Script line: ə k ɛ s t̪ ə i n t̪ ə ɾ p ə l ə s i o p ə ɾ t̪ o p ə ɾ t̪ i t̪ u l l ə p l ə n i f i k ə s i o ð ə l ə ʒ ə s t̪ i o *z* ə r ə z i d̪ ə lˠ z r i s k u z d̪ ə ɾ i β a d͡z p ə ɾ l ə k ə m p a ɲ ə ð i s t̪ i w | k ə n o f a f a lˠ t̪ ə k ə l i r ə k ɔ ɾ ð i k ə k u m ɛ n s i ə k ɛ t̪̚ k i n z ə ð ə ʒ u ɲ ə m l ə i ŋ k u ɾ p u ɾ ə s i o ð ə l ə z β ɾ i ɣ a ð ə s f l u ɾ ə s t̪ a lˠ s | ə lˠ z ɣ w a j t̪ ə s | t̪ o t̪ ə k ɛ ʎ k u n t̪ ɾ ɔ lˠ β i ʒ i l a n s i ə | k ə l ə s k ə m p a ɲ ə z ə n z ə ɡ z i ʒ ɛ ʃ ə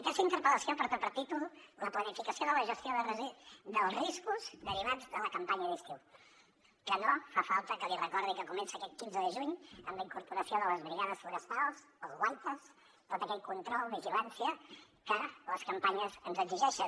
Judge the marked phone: incorrect: ð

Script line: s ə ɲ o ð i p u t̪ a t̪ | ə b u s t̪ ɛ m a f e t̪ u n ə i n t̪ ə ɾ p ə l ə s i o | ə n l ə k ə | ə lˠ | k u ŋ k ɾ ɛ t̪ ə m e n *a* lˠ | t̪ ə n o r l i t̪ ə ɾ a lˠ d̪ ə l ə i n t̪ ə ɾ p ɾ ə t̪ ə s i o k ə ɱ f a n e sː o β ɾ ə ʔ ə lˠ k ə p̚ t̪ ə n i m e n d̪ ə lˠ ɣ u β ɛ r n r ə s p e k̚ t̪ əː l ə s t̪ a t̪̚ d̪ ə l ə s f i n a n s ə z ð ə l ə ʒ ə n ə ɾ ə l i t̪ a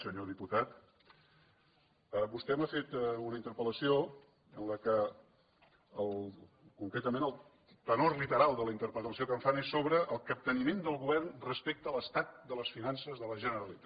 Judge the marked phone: incorrect: ə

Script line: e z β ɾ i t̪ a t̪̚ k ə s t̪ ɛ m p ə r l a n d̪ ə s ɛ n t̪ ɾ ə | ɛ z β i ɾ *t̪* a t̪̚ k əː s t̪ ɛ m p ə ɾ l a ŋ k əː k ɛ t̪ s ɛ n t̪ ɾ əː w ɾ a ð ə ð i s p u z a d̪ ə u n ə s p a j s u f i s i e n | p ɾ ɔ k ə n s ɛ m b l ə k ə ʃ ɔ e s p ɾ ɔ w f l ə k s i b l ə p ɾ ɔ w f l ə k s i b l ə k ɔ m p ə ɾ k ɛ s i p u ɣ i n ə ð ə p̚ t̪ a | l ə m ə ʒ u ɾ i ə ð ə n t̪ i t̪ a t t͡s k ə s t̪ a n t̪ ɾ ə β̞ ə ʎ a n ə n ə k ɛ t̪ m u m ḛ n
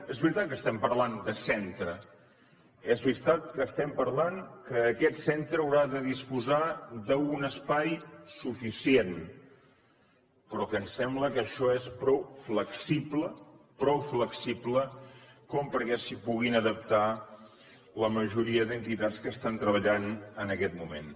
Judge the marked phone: correct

